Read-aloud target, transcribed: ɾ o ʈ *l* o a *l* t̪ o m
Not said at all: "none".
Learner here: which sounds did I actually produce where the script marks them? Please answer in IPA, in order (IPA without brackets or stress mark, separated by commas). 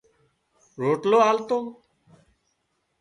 l, l